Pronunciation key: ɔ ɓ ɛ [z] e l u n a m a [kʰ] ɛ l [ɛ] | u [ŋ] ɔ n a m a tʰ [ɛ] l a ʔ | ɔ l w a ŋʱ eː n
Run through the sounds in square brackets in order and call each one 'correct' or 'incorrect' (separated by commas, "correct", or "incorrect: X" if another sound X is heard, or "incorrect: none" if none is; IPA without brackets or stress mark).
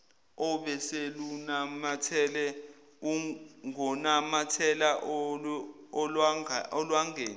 incorrect: s, incorrect: tʰ, correct, correct, correct